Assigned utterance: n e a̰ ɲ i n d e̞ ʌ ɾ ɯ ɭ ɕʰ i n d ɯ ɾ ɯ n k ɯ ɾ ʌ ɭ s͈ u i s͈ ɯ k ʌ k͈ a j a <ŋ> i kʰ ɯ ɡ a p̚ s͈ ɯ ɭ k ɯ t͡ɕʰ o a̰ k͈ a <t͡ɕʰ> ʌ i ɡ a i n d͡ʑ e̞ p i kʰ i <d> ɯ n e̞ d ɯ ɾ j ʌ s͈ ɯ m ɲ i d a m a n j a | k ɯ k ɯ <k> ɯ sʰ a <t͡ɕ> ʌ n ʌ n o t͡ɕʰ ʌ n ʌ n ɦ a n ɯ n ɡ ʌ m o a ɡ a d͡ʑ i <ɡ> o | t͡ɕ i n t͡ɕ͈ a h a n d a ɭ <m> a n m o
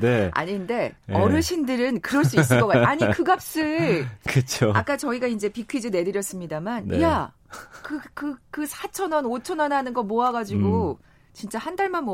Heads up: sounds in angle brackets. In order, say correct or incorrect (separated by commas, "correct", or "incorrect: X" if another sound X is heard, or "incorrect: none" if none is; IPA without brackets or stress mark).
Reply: incorrect: ɲ, incorrect: t͡ɕ, incorrect: d͡ʑ, correct, incorrect: t͡ɕʰ, correct, correct